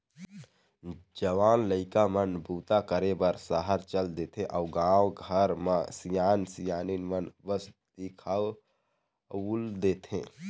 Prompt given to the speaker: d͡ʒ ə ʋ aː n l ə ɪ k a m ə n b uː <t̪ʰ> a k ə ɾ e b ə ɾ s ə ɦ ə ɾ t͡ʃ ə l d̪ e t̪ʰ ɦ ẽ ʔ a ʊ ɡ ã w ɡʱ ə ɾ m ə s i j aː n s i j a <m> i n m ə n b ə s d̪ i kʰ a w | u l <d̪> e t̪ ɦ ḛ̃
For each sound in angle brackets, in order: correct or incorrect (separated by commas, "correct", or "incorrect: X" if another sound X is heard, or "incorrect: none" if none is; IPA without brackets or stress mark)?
incorrect: t̪, incorrect: n, correct